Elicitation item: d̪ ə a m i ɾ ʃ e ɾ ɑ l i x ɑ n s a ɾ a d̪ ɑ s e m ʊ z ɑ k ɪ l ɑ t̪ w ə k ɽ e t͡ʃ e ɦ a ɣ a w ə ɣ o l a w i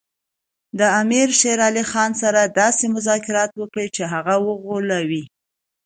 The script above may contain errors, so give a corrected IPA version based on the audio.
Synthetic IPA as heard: d̪ ə a m i ɾ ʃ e ɾ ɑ l i x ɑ n s a ɾ a d̪ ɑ s e m ʊ z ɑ k ɪ ɾ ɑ t̪ w ə k ɽ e t͡ʃ e ɦ a ɣ a w ə ɣ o l a w i